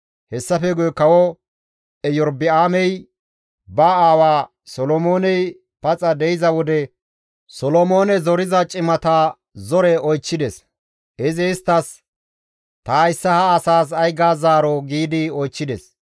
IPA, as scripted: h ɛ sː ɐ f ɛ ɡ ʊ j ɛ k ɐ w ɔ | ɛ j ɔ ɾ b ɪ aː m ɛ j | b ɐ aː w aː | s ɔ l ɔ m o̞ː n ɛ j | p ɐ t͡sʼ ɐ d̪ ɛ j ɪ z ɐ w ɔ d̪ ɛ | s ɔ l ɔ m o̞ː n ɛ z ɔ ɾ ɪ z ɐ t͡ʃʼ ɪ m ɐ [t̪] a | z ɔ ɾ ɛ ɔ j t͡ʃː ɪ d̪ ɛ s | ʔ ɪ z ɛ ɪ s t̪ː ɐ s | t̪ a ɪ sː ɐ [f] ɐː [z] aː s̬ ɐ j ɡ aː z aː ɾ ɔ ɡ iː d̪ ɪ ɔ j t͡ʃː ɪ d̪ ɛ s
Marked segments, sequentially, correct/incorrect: correct, incorrect: h, incorrect: s

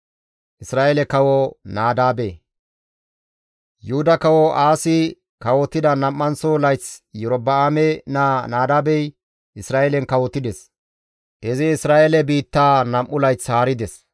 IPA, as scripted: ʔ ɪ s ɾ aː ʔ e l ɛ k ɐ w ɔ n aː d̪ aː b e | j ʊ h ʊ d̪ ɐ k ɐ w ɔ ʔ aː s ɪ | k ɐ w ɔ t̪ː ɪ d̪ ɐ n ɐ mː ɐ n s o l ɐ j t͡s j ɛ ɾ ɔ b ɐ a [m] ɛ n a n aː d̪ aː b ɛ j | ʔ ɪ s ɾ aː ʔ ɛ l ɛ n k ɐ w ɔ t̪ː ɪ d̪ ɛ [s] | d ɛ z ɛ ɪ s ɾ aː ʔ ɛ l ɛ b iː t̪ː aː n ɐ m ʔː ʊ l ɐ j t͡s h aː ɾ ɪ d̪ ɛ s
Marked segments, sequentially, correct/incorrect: correct, correct

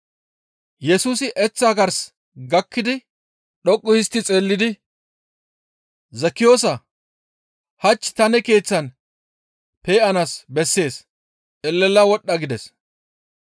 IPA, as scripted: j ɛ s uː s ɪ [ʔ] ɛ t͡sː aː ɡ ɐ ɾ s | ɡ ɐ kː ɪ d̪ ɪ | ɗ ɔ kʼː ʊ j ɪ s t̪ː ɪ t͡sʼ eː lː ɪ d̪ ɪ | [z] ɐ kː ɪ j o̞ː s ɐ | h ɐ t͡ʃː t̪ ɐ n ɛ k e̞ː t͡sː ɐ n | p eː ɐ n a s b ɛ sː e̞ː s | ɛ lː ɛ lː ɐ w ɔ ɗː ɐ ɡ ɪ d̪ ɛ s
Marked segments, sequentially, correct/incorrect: correct, correct

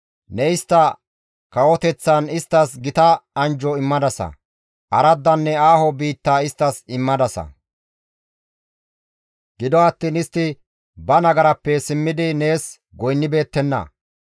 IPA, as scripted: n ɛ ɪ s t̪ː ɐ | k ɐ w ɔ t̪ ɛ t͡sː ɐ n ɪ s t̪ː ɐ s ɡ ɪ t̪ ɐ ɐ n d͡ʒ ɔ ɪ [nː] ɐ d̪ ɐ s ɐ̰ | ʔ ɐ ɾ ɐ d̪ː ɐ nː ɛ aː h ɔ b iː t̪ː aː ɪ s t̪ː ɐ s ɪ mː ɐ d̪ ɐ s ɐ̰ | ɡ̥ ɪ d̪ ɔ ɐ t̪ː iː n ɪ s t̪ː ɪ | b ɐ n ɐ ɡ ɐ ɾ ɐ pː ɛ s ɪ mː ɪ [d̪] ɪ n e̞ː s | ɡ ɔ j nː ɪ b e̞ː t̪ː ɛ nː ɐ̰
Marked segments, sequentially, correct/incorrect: incorrect: mː, correct

